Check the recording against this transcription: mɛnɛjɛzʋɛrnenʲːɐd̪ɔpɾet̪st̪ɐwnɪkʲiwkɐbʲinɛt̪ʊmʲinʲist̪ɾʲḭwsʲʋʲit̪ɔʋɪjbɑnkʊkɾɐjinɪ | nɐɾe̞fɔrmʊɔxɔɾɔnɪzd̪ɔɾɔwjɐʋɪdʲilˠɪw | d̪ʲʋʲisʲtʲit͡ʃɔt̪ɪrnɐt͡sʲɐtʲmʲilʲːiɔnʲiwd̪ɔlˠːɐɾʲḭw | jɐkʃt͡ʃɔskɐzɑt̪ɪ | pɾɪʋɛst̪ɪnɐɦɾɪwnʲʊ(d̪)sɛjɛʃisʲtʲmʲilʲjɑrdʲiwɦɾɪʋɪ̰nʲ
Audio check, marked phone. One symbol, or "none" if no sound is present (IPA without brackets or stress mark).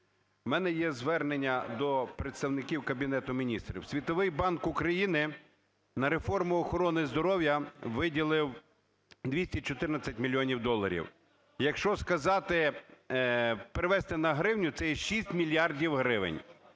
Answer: t̪